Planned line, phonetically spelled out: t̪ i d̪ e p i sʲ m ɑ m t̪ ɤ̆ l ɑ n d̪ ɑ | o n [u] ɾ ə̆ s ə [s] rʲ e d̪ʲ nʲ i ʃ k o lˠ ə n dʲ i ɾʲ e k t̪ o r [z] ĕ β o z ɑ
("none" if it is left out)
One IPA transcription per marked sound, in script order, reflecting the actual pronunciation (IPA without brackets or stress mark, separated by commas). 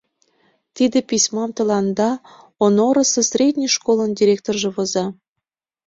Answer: o, s, ʒ